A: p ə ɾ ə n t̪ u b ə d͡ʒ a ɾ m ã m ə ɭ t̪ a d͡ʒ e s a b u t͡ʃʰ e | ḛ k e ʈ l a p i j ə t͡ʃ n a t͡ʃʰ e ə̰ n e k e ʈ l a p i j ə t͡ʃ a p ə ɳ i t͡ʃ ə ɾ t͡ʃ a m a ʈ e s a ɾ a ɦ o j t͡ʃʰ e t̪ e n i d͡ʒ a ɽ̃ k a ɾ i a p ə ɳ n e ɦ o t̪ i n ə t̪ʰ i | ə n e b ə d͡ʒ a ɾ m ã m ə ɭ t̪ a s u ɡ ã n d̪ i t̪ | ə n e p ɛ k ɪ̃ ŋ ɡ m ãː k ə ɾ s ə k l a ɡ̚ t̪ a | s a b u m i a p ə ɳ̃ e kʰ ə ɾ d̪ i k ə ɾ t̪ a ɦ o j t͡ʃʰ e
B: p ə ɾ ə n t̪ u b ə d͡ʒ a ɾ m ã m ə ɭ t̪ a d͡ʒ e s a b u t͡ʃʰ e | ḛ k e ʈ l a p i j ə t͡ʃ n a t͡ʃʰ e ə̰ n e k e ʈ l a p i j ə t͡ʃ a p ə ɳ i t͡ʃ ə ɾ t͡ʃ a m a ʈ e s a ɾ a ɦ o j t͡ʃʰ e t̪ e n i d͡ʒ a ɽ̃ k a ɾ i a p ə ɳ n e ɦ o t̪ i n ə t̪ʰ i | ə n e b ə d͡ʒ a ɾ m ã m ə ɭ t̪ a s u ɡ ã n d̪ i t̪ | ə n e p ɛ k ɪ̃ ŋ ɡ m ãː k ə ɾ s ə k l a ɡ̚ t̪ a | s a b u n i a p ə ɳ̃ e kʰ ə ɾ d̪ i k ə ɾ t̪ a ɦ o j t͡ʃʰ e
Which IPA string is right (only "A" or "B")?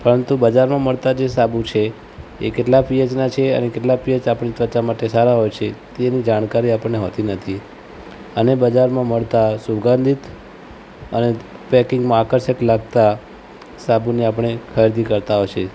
B